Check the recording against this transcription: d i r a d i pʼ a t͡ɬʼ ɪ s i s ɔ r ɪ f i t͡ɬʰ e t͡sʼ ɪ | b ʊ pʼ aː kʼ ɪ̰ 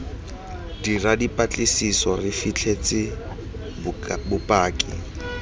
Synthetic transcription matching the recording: d i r a d i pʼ a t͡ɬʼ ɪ s i s ɔ r ɪ f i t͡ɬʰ e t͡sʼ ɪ | b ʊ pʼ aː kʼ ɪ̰